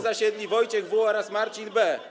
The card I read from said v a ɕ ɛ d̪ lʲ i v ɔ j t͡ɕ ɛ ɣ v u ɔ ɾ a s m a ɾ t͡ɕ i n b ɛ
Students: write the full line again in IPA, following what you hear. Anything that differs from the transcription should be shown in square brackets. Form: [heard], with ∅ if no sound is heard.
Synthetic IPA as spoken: [z] a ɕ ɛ d̪ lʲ i v ɔ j t͡ɕ ɛ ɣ v u ɔ ɾ a s m a ɾ t͡ɕ i n b ɛ